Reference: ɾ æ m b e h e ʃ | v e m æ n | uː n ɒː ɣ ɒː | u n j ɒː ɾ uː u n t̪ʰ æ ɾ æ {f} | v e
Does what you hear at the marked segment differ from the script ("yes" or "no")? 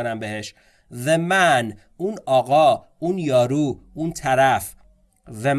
no